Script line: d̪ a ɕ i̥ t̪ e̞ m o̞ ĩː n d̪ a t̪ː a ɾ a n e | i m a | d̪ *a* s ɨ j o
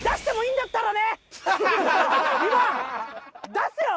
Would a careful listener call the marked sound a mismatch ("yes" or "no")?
no